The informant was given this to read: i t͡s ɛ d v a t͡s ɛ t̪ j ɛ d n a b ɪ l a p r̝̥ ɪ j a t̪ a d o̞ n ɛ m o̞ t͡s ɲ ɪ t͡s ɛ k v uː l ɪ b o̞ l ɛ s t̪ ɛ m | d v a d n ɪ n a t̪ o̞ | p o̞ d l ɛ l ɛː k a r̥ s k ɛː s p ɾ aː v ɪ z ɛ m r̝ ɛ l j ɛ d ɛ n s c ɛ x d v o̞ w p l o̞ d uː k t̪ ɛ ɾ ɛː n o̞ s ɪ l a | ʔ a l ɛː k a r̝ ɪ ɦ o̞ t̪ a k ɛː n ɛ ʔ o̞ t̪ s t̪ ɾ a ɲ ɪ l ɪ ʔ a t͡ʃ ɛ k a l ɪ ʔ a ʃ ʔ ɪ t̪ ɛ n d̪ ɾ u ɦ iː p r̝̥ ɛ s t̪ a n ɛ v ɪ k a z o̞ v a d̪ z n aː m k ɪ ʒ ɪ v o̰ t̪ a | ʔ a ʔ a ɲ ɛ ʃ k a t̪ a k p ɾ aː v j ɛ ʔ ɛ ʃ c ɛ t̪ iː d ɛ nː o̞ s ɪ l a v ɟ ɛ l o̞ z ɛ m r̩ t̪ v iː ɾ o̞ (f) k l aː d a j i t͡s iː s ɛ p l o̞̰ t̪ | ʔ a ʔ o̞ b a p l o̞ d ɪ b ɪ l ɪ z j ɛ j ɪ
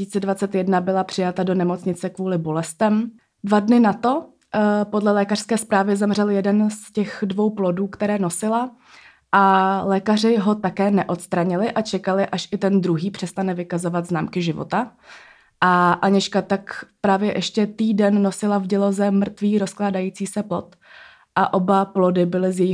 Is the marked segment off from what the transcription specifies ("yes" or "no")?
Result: yes